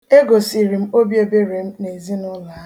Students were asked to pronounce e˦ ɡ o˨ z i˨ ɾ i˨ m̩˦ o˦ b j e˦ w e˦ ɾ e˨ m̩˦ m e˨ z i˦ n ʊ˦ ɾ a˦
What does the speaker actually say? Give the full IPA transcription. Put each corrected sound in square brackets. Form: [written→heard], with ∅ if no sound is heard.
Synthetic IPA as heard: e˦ ɡ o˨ [z→s] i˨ ɾ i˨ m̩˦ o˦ b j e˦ [w→b] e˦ ɾ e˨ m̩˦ [m→n] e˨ z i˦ n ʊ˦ [ɾ→l] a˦